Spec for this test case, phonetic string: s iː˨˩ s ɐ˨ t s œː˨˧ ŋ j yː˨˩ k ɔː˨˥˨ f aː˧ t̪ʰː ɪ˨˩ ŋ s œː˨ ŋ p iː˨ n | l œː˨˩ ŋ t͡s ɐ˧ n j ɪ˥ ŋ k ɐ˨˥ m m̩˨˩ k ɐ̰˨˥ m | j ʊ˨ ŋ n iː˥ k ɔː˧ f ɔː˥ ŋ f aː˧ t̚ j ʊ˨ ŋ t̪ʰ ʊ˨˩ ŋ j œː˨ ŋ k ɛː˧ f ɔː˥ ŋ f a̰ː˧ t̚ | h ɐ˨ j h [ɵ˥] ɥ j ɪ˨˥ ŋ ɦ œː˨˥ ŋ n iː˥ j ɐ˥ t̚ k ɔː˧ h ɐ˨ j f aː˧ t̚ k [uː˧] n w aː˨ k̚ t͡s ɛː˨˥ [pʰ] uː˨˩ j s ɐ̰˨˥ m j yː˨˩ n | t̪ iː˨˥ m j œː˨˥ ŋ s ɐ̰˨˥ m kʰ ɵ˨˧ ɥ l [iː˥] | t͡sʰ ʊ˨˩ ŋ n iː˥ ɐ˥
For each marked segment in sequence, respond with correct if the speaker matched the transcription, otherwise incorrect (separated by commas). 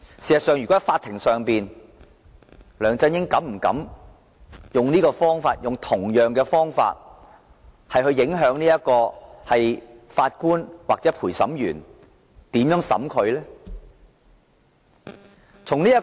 incorrect, incorrect, correct, incorrect